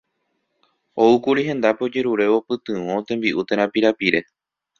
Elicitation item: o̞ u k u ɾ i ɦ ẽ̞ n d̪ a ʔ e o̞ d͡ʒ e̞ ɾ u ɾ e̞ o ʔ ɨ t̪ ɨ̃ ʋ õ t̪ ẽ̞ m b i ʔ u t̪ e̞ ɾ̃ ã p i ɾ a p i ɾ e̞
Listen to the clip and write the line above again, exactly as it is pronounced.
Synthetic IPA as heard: o̞ u k u ɾ i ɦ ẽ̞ n d̪ a p e o̞ d͡ʒ e̞ ɾ u ɾ e̞ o p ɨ t̪ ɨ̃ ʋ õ t̪ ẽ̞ m b i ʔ u t̪ e̞ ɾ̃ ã p i ɾ a p i ɾ e̞